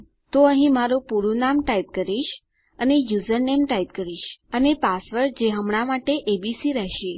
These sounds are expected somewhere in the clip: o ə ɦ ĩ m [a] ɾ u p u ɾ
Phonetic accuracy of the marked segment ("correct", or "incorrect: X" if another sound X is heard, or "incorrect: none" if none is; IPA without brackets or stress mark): correct